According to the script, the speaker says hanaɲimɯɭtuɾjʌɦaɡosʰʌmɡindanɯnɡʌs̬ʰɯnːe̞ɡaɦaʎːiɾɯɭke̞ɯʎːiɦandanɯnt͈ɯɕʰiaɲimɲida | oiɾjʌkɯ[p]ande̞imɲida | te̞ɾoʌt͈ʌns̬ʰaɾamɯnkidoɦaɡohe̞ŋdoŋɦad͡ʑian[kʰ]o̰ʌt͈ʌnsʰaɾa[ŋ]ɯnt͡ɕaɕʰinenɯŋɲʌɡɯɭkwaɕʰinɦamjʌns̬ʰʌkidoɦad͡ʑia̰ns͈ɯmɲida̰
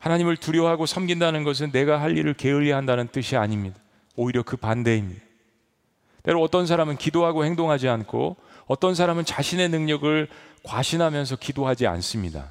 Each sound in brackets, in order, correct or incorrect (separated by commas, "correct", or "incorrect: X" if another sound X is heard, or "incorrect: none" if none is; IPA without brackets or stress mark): correct, correct, incorrect: m